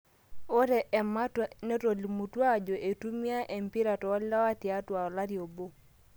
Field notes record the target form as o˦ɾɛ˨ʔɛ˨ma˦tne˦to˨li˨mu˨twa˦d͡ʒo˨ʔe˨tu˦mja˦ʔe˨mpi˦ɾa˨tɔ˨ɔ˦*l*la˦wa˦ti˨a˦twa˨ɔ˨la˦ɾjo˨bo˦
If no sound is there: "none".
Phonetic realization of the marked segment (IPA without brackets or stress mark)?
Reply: l